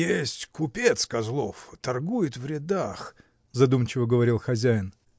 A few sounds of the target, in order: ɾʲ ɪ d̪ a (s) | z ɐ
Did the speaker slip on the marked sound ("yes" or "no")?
yes